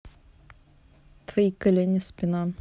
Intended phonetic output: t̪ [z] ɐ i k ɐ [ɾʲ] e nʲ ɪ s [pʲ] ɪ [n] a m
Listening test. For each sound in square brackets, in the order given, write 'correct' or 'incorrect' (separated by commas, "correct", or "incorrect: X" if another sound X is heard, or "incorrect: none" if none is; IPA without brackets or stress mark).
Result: incorrect: v, incorrect: lʲ, correct, correct